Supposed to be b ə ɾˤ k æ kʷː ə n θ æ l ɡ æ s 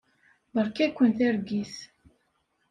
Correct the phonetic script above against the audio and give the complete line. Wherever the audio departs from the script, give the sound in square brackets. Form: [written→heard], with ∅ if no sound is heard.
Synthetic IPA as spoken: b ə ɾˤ k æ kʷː ə n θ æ [l→ɾ] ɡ [æ→i] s